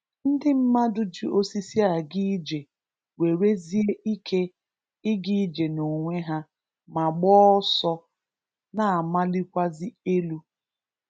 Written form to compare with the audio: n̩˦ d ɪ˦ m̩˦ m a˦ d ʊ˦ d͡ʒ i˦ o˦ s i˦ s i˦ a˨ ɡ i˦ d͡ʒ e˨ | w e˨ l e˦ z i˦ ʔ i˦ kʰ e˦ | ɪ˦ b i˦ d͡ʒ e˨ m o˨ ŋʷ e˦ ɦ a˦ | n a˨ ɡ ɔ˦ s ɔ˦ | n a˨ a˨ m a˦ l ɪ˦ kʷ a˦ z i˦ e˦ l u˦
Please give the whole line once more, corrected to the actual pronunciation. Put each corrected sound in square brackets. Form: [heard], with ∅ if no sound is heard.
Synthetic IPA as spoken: n̩˦ d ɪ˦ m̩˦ m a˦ d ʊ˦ d͡ʒ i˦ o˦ s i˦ s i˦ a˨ ɡ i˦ d͡ʒ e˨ | w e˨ [ɾ] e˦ z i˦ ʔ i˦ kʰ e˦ | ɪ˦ [ɡ] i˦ d͡ʒ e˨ [n] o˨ ŋʷ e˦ ɦ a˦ | [m] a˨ [ɡ͡b] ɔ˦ s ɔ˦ | n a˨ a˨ m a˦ l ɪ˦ kʷ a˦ z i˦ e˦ l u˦